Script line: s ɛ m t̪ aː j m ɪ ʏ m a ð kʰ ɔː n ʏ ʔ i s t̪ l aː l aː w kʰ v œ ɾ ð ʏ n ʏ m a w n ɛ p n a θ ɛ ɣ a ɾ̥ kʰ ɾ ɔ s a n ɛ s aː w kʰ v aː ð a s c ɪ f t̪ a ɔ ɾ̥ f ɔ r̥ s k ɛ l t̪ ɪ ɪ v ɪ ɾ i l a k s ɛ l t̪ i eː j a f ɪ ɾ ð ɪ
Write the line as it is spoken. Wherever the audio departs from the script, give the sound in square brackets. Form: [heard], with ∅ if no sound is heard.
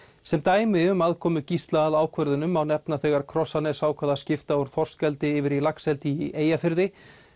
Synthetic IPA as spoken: s ɛ m t̪ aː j m ɪ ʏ m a ð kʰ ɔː [m] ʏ [c] i s t̪ l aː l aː w kʰ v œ ɾ ð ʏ n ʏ m a w n ɛ p n a θ ɛ ɣ a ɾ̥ kʰ ɾ ɔ s a n ɛ s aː w kʰ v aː ð a s c ɪ f t̪ a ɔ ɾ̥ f ɔ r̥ s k ɛ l t̪ ɪ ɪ v ɪ ɾ i l a k s ɛ l t̪ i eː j a f ɪ ɾ ð ɪ